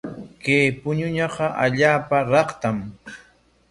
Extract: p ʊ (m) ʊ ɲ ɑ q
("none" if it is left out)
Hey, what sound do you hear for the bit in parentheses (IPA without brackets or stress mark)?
ɲ